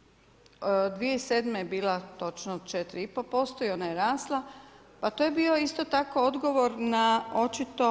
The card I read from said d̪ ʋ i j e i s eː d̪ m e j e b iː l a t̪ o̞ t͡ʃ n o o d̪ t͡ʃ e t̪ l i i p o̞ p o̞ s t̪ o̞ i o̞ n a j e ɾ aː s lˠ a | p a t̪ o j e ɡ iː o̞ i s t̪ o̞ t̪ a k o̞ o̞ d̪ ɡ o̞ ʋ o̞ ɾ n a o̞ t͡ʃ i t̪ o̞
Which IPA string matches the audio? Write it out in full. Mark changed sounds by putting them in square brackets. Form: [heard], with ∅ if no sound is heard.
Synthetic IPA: d̪ ʋ i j e i s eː d̪ m e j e b iː l a t̪ o̞ t͡ʃ n o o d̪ t͡ʃ e t̪ [ɾ] i i p o̞ p o̞ s t̪ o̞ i o̞ n a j e ɾ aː s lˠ a | p a t̪ o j e [b] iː o̞ i s t̪ o̞ t̪ a k o̞ o̞ d̪ ɡ o̞ ʋ o̞ ɾ n a o̞ t͡ʃ i t̪ o̞

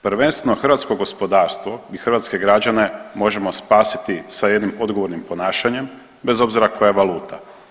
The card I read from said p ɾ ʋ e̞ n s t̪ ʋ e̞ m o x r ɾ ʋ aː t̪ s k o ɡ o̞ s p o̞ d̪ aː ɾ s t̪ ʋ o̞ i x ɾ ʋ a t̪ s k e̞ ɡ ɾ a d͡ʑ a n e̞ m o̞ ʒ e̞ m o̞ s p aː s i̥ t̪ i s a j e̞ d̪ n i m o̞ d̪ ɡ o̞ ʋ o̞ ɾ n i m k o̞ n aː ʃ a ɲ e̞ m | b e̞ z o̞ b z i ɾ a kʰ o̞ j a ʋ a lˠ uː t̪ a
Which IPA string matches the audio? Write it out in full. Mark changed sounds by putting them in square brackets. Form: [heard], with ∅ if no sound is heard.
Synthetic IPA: p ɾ ʋ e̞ n s t̪ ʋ e̞ [n] o x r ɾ ʋ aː t̪ s k o ɡ o̞ s p o̞ d̪ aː ɾ s t̪ ʋ o̞ i x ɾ ʋ a t̪ s k e̞ ɡ ɾ a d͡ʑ a n e̞ m o̞ ʒ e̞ m o̞ s p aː s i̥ t̪ i s a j e̞ d̪ n i m o̞ d̪ ɡ o̞ ʋ o̞ ɾ n i m [p] o̞ n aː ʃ a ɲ e̞ m | b e̞ z o̞ b z i ɾ a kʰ o̞ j a ʋ a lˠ uː t̪ a

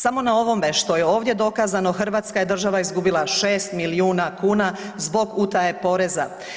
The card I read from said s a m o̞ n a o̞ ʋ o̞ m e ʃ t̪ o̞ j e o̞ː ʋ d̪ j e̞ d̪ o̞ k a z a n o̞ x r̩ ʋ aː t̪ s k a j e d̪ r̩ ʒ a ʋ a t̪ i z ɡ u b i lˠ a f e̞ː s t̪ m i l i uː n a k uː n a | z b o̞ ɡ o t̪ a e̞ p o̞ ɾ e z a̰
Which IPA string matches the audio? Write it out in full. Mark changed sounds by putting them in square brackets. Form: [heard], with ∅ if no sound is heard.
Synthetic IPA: s a m o̞ n a o̞ ʋ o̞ m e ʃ t̪ o̞ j e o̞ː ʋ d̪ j e̞ d̪ o̞ k a z a n o̞ x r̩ ʋ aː t̪ s k a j e d̪ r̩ ʒ a ʋ a [∅] i z ɡ u b i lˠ a [ʃ] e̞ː s t̪ m i l i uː n a k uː n a | z b o̞ ɡ [u] t̪ a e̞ p o̞ ɾ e z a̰

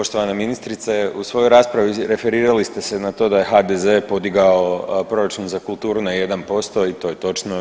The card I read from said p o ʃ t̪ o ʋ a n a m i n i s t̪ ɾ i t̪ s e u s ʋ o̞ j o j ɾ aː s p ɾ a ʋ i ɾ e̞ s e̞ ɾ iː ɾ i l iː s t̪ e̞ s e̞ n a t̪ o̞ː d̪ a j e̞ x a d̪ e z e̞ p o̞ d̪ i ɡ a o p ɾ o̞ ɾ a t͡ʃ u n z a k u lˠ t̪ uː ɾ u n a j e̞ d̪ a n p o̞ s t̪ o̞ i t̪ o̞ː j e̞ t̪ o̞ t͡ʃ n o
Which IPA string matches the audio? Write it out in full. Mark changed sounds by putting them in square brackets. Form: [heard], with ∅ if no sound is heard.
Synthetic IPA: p o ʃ t̪ o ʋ a n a m i n i s t̪ ɾ i t̪ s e u s ʋ o̞ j o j ɾ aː s p ɾ a ʋ i ɾ e̞ [f] e̞ ɾ iː ɾ [a] l [i] s t̪ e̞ s e̞ n a t̪ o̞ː d̪ a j e̞ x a d̪ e z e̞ p o̞ d̪ i ɡ a o p ɾ o̞ ɾ a t͡ʃ u n z a k u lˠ t̪ uː ɾ u n a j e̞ d̪ a n p o̞ s t̪ o̞ i t̪ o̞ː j e̞ t̪ o̞ t͡ʃ n o

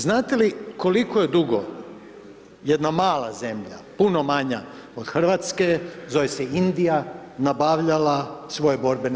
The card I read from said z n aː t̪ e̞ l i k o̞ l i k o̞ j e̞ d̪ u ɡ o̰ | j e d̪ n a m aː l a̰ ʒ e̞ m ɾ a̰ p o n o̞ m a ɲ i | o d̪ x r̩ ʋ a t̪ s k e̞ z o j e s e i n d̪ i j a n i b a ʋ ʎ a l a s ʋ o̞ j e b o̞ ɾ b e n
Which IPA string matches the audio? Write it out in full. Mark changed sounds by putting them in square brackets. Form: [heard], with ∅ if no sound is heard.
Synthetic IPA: z n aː t̪ e̞ l i k o̞ l i k o̞ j e̞ d̪ u ɡ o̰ | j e d̪ n a m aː l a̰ [z] e̞ m [ʎ] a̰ p [u] n o̞ m a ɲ [a] | o d̪ x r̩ ʋ a t̪ s k e̞ z o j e s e i n d̪ i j a n [a] b a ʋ ʎ a l a s ʋ o̞ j e b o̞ ɾ b e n

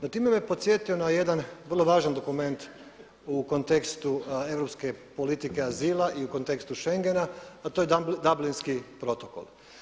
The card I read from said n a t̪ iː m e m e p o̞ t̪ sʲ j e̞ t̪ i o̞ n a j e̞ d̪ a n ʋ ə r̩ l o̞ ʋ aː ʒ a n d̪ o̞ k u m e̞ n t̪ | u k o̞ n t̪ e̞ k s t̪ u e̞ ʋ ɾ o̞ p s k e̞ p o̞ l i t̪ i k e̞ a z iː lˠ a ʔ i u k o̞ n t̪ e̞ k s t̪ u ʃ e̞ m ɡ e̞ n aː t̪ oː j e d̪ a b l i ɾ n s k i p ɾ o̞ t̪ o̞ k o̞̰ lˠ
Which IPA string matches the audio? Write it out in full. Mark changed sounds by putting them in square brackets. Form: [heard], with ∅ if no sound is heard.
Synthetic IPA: n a t̪ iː m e m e p o̞ t̪ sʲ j e̞ t̪ i o̞ n a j e̞ d̪ a n ʋ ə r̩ l o̞ ʋ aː ʒ a n d̪ o̞ k u m e̞ n t̪ | u k o̞ n t̪ e̞ k s t̪ u e̞ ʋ ɾ o̞ p s k e̞ p o̞ l i t̪ i k e̞ a z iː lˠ a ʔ i u k o̞ n t̪ e̞ k s t̪ u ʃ e̞ [ŋ] ɡ e̞ n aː t̪ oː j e d̪ a b l i [∅] n s k i p ɾ o̞ t̪ o̞ k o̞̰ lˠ

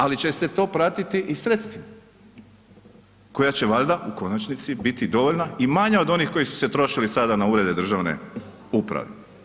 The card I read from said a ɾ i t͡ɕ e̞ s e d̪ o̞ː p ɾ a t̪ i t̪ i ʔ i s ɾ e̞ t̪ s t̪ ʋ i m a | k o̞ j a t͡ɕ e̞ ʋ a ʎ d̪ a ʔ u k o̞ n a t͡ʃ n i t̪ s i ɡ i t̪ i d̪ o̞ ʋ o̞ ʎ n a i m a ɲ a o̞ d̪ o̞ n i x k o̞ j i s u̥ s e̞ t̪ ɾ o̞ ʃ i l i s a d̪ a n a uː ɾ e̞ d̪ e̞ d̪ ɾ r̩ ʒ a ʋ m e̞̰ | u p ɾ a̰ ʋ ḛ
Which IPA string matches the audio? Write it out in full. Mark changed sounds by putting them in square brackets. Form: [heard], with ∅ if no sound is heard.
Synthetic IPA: a [l] i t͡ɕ e̞ s e [t̪] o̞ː p ɾ a t̪ i t̪ i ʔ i s ɾ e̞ t̪ s t̪ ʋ i m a | k o̞ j a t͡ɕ e̞ ʋ a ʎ d̪ a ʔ u k o̞ n a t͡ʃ n i t̪ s i [b] i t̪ i d̪ o̞ ʋ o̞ ʎ n a i m a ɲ a o̞ d̪ o̞ n i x k o̞ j i s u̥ s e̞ t̪ ɾ o̞ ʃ i l i s a d̪ a n a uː ɾ e̞ d̪ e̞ d̪ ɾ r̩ ʒ a ʋ [n] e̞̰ | u p ɾ a̰ ʋ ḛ

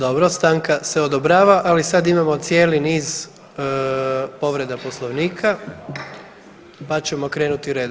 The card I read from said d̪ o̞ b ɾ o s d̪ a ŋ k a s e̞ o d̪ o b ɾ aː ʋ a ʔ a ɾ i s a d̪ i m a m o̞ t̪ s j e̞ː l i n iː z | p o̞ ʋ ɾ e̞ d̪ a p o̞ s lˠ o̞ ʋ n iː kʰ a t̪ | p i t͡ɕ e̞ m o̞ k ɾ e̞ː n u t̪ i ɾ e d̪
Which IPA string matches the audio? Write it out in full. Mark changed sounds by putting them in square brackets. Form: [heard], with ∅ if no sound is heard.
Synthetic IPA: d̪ o̞ b ɾ o s [t̪] a ŋ k a s e̞ o d̪ o b ɾ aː ʋ a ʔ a [l] i s a d̪ i m a m o̞ t̪ s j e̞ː l i n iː z | p o̞ ʋ ɾ e̞ d̪ a p o̞ s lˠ o̞ ʋ n iː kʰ a [∅] | p [a] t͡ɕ e̞ m o̞ k ɾ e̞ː n u t̪ i ɾ e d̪

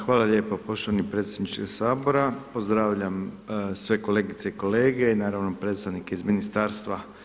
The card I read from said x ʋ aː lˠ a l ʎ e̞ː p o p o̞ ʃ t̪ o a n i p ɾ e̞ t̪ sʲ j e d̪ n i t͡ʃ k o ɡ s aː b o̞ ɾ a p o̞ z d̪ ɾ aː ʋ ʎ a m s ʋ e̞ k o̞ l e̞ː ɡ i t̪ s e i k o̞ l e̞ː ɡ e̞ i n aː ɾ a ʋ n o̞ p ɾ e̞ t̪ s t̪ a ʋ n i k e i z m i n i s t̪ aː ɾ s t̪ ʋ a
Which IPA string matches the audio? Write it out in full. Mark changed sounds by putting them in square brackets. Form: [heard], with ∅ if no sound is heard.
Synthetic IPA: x ʋ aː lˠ a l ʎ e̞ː p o p o̞ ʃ t̪ o a n i p ɾ e̞ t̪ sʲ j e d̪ n i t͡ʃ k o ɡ s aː b o̞ ɾ a p o̞ z d̪ ɾ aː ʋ ʎ a m s ʋ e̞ k o̞ l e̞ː ɡ i t̪ s e i k o̞ l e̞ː ɡ e̞ i n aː ɾ a ʋ n o̞ p ɾ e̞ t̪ s t̪ a ʋ n i k e i z m i n i s t̪ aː ɾ s t̪ ʋ a

